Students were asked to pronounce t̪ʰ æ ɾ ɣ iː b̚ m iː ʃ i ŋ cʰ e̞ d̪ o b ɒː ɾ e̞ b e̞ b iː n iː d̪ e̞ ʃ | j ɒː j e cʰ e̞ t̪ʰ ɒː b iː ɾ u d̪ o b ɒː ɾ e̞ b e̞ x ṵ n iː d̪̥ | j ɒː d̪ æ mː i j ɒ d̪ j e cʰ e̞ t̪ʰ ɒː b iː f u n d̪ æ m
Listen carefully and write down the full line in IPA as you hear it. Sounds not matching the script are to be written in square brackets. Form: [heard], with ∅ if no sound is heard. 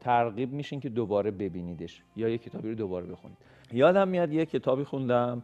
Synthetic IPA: t̪ʰ æ ɾ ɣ iː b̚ m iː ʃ i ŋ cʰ e̞ d̪ o b ɒː ɾ e̞ b e̞ b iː n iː d̪ e̞ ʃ | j ɒː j e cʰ e̞ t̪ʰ ɒː b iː ɾ [o] d̪ o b ɒː ɾ e̞ b e̞ x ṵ n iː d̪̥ | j ɒː d̪ æ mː i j ɒ d̪ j e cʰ e̞ t̪ʰ ɒː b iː [x] u n d̪ æ m